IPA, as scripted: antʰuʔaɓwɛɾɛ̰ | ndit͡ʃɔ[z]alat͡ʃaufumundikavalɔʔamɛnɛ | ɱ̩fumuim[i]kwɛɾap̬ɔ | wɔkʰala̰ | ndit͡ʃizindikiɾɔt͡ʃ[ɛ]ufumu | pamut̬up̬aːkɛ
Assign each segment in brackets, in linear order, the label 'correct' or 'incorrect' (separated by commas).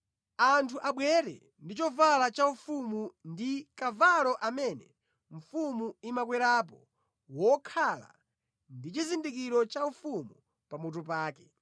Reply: incorrect, incorrect, incorrect